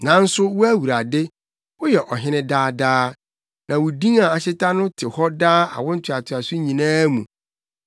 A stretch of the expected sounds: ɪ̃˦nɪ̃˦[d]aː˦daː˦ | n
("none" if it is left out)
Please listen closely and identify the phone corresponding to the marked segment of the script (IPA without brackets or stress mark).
d